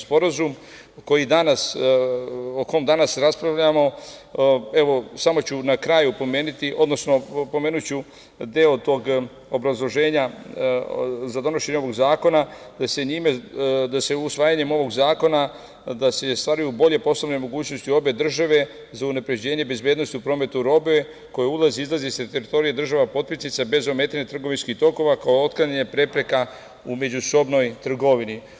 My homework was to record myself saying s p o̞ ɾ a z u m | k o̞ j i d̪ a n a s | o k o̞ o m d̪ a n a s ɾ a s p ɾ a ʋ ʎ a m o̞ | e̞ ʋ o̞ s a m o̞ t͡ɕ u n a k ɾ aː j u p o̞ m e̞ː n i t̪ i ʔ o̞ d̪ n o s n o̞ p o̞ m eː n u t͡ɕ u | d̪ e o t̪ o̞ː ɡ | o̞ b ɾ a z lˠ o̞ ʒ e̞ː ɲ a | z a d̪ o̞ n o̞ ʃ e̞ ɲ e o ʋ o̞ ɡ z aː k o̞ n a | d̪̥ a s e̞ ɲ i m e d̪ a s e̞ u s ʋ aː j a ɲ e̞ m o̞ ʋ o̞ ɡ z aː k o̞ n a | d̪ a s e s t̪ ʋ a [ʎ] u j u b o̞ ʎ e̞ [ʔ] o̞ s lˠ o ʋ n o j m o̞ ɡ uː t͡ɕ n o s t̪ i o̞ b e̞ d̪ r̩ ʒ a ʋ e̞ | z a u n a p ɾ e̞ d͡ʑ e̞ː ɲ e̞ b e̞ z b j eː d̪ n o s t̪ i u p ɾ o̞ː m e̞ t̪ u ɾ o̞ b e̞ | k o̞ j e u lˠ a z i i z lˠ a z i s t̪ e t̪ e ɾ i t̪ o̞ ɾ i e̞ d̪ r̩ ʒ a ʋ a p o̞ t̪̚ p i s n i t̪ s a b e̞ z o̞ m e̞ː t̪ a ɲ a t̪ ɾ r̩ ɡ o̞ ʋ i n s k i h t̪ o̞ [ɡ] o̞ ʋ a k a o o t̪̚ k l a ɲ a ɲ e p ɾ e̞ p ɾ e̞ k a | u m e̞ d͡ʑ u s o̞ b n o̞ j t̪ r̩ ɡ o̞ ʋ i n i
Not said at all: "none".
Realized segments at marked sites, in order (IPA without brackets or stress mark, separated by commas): ɾ, p, k